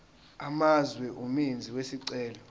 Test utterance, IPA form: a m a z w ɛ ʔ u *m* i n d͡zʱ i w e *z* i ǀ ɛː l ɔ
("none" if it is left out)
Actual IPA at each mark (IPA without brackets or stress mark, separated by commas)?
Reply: m, s